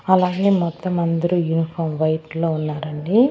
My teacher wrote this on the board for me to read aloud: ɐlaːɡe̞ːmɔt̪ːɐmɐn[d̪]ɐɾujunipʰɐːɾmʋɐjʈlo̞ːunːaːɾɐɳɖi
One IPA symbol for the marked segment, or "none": d̪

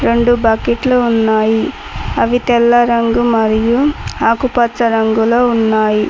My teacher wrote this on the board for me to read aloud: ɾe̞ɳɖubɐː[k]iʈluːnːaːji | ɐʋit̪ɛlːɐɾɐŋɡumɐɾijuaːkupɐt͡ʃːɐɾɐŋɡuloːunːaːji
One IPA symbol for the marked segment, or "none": k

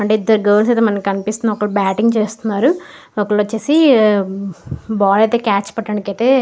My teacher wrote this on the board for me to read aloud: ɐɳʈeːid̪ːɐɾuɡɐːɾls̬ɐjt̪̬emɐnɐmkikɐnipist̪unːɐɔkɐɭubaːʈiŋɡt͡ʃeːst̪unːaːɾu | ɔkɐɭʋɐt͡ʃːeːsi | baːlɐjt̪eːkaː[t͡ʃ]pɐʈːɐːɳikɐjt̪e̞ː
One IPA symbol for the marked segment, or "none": t͡ʃ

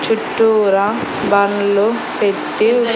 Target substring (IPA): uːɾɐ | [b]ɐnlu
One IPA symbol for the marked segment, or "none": b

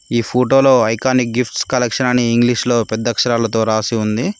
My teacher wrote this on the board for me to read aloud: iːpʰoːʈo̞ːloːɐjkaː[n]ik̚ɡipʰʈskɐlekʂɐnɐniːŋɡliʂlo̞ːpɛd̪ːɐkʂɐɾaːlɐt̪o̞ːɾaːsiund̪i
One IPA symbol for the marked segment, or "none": n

